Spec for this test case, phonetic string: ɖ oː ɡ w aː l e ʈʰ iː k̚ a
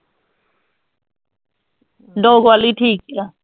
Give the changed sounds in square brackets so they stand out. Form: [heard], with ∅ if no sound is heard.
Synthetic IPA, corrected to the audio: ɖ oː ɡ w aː l [i] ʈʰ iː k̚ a